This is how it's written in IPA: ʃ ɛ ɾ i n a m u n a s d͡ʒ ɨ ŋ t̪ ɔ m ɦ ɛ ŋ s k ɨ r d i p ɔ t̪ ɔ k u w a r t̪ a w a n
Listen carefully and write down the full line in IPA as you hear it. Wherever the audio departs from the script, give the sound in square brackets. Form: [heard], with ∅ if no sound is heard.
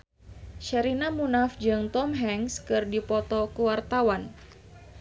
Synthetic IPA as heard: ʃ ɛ ɾ i n a m u n a [f] d͡ʒ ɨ ŋ t̪ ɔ m ɦ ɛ ŋ s k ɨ r d i p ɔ t̪ ɔ k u w a r t̪ a w a n